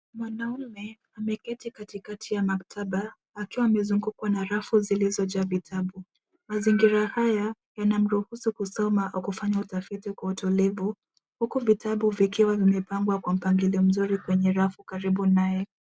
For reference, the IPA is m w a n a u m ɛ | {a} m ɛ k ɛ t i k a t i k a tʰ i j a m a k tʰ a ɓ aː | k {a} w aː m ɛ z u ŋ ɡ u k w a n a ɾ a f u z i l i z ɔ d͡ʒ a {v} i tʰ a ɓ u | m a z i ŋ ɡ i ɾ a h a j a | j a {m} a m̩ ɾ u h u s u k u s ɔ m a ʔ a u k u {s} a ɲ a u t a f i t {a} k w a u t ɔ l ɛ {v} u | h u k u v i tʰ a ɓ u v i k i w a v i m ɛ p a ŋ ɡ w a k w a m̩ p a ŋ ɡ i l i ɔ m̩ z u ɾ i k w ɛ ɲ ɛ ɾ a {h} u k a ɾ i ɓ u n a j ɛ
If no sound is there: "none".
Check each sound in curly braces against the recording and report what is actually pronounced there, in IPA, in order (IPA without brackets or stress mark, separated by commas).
a, i, v, n, f, i, v, f